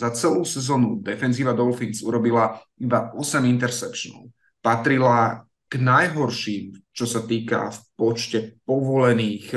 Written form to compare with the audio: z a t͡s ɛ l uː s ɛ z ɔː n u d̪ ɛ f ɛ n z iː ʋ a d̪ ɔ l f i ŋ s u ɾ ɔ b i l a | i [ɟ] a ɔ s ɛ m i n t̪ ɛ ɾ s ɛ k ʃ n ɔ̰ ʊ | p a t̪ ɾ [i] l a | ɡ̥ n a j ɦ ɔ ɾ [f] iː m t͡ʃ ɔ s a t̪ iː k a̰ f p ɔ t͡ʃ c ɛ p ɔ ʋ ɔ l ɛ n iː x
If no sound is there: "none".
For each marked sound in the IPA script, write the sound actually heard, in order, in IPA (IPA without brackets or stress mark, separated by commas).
b, i, ʃ